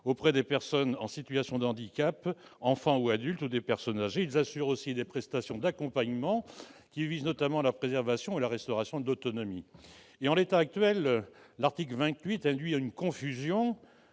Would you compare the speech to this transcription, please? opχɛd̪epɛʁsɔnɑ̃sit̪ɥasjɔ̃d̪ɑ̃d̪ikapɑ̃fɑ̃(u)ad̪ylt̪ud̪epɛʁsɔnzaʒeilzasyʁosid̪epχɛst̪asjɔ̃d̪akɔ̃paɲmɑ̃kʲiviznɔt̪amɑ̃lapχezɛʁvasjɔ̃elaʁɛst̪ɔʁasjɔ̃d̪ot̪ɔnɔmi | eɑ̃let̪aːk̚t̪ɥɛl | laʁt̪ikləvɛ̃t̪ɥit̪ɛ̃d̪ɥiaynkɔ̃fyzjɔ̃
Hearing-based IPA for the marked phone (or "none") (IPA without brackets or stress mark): u